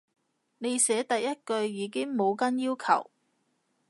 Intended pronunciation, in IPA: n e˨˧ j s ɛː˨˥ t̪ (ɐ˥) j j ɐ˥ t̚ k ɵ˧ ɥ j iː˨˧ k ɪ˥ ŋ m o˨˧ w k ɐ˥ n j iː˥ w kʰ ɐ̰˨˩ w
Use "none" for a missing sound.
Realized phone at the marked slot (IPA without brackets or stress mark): ɐ˨